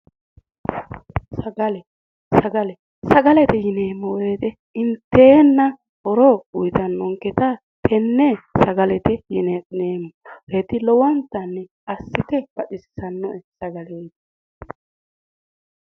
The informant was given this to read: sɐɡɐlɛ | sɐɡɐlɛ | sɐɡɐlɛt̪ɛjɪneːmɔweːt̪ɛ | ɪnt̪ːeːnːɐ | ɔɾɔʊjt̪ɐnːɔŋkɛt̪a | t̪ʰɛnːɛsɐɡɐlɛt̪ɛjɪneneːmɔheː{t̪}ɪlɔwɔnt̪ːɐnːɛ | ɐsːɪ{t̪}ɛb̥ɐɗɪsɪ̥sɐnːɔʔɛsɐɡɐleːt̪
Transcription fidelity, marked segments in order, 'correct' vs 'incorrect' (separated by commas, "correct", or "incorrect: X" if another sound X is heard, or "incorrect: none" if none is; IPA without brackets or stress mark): correct, correct